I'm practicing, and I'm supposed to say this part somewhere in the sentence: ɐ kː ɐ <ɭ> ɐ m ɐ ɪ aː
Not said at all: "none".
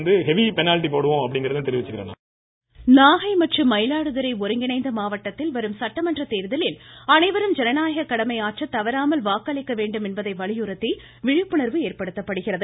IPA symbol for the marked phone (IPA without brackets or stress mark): ɽ